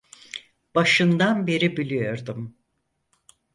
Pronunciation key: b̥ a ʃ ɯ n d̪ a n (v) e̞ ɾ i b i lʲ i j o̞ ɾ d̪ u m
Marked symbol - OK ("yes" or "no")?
no